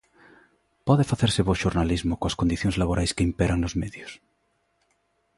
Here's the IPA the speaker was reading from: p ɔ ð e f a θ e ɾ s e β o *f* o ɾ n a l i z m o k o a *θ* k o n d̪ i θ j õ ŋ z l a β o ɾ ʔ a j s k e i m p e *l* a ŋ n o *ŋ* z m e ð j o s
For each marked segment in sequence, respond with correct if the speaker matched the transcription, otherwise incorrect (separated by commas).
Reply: incorrect, incorrect, incorrect, incorrect